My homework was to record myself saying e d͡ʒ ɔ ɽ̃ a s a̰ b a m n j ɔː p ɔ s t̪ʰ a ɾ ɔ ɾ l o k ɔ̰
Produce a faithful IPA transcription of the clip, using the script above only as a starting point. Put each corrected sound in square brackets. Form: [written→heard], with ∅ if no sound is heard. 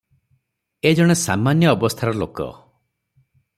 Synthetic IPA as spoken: e d͡ʒ ɔ ɽ̃ [a→e] s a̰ [b→m] a [m→∅] n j ɔː [p→b] ɔ s t̪ʰ a ɾ ɔ [ɾ→∅] l o k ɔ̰